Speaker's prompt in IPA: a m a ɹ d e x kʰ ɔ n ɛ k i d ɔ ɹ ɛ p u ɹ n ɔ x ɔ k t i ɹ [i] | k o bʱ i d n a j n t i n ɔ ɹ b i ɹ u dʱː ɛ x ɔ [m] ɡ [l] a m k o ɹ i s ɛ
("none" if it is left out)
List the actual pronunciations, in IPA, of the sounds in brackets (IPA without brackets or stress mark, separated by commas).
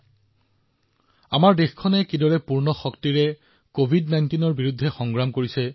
ɛ, ŋ, ɹ